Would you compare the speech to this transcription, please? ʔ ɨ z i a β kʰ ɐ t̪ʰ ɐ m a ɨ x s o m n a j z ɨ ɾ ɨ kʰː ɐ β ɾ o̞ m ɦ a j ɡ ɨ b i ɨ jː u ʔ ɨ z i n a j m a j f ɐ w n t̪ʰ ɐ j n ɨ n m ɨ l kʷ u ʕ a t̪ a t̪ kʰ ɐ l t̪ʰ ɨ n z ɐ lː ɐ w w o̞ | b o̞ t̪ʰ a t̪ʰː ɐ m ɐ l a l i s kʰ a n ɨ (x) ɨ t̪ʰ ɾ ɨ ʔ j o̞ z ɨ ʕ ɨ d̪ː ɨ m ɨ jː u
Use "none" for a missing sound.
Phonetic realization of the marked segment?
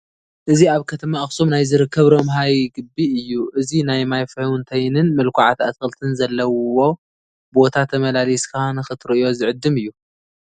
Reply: x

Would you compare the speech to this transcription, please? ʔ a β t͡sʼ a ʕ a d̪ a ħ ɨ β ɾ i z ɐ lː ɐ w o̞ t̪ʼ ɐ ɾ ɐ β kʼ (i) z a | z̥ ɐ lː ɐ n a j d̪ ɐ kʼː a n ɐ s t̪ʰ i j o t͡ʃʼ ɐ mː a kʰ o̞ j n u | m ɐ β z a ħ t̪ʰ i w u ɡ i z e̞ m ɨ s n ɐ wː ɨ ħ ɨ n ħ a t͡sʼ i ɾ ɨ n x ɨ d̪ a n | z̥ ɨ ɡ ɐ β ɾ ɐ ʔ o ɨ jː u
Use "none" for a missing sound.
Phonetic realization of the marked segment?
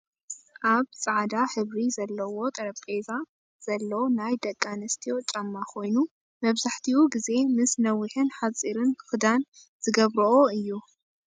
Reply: e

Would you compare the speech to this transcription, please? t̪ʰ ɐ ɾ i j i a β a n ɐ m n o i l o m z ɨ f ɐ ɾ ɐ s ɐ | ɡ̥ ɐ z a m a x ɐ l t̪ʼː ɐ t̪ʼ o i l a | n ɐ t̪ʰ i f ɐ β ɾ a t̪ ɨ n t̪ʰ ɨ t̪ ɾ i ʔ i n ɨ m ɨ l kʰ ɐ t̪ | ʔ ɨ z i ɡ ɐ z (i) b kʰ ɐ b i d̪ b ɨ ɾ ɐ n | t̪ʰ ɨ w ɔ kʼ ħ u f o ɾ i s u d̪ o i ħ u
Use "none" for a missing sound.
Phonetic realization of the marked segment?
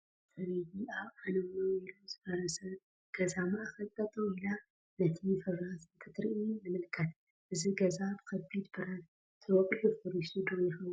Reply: a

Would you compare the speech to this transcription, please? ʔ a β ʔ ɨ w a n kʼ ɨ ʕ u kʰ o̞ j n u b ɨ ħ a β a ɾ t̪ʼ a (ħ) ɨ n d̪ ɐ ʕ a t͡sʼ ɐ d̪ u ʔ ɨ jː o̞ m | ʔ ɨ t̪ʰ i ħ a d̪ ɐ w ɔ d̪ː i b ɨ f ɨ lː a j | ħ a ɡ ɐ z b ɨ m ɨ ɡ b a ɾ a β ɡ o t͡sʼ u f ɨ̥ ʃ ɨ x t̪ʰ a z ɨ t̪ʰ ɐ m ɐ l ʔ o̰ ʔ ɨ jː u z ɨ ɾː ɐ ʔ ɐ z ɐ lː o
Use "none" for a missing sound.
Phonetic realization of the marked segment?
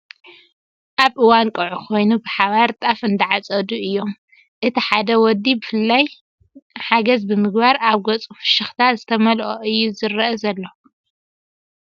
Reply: f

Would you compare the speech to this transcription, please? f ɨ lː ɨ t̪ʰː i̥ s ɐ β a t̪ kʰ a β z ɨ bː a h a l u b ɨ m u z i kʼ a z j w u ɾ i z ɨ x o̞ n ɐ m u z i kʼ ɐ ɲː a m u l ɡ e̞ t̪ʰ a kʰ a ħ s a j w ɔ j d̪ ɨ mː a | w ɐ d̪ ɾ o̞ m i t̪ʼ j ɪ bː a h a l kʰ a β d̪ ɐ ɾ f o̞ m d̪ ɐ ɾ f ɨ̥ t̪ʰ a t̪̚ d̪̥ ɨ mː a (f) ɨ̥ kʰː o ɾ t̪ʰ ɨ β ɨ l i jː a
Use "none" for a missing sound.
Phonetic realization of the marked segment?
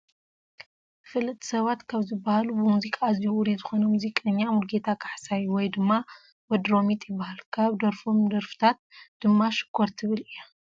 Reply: ʃ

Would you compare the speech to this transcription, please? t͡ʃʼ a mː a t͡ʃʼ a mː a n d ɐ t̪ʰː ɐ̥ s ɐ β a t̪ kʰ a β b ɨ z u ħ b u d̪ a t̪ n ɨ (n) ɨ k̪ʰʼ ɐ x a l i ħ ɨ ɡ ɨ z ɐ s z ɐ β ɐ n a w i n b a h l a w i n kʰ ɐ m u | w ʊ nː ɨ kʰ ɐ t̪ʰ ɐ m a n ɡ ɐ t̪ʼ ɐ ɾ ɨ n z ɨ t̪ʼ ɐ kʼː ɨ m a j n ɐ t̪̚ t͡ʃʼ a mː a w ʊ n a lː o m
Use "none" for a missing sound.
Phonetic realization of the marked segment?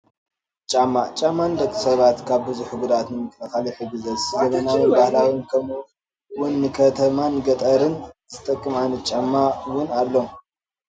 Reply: m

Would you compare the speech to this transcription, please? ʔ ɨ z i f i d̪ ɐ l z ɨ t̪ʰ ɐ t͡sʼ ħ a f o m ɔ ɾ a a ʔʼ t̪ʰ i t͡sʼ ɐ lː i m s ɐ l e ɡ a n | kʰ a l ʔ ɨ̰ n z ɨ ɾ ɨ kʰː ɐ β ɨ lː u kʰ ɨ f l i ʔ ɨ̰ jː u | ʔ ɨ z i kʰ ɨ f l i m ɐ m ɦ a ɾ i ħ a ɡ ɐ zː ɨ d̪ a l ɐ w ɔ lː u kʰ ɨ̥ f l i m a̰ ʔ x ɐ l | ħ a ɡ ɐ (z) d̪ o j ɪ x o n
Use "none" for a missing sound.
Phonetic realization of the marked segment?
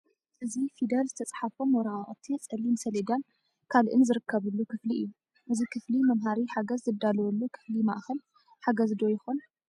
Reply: z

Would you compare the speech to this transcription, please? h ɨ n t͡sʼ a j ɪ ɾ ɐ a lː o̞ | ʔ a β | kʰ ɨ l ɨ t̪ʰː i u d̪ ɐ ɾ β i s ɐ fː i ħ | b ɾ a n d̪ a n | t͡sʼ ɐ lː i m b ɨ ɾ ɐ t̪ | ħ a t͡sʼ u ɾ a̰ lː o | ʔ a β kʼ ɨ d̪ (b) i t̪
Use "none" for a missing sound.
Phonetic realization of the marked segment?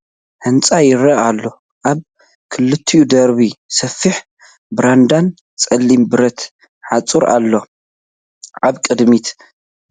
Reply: m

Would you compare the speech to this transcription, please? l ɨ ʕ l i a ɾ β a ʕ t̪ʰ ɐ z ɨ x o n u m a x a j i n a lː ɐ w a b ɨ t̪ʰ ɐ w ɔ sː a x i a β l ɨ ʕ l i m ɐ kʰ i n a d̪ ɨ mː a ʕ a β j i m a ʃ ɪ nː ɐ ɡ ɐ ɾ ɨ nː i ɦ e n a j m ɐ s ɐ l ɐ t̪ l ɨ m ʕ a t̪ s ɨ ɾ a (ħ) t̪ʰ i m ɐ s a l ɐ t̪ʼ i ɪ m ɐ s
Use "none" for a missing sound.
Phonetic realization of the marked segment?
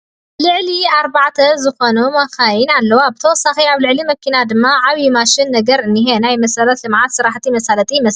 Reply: ħ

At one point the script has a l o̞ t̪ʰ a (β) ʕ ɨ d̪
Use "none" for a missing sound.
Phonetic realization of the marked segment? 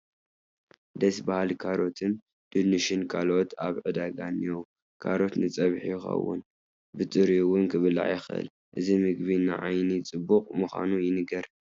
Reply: β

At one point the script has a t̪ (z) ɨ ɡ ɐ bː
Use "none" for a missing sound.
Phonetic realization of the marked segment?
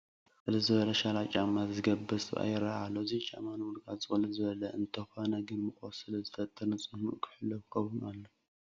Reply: z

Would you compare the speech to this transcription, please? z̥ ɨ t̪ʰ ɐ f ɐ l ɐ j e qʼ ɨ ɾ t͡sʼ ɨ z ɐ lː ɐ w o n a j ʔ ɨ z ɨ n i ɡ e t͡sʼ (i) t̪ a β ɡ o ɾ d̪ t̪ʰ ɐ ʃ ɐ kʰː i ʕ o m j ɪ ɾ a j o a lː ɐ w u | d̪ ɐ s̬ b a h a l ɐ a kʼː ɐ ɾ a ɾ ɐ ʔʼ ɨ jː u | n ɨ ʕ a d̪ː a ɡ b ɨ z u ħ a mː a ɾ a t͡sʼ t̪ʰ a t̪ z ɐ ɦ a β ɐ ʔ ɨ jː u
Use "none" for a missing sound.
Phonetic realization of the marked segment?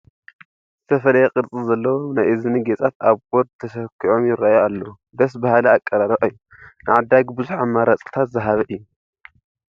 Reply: a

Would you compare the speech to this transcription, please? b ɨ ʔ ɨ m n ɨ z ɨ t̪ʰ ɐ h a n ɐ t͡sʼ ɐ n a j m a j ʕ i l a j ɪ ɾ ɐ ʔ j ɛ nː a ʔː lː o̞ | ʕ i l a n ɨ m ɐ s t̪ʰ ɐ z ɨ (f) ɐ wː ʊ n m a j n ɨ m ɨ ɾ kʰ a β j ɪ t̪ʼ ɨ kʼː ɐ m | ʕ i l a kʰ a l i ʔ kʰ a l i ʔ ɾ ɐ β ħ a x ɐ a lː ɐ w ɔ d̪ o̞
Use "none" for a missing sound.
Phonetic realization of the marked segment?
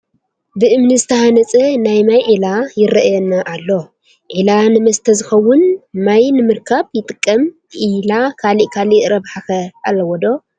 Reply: x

